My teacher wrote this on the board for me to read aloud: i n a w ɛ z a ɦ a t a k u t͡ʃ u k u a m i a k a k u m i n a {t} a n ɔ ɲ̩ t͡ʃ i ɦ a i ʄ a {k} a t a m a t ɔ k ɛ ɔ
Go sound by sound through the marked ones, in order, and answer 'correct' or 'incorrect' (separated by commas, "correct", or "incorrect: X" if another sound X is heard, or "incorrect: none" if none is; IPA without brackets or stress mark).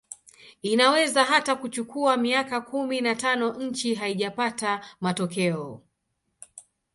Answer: correct, incorrect: p